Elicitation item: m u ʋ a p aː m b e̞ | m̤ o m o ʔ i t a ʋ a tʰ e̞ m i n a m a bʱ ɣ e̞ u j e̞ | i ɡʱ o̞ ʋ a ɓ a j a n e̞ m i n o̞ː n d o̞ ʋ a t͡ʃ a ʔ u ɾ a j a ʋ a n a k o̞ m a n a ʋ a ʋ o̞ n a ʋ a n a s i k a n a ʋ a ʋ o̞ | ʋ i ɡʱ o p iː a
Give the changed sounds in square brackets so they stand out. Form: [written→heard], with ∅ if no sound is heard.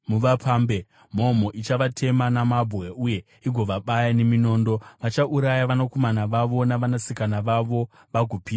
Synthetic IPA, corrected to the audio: m u ʋ a p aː m b e̞ | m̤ o m o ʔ i [t→t͡ʃ] a ʋ a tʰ e̞ m [i→a] n a m a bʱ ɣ e̞ u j e̞ | i ɡʱ o̞ ʋ a ɓ a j a n e̞ m i n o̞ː n d o̞ ʋ a t͡ʃ a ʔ u ɾ a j a ʋ a n a k o̞ m a n a ʋ a ʋ o̞ n a ʋ a n a s i k a n a ʋ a ʋ o̞ | ʋ [i→a] ɡʱ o p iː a